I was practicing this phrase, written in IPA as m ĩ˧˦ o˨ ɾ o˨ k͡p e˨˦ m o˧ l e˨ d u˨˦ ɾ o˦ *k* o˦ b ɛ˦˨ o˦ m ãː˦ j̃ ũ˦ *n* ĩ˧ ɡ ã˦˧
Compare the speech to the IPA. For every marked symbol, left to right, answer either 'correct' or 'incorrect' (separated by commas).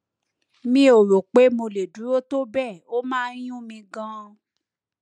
incorrect, incorrect